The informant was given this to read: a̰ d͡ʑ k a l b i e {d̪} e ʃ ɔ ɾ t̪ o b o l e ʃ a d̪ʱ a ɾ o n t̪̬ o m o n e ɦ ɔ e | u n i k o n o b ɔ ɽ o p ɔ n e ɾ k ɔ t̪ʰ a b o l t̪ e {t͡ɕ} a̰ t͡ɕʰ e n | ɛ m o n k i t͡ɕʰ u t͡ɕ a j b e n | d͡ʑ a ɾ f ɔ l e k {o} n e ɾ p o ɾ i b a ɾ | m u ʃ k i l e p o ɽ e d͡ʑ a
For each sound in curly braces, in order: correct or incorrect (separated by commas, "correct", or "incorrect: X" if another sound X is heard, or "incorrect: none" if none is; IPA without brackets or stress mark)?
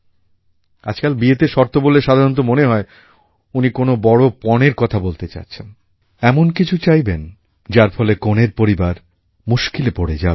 incorrect: t̪, correct, correct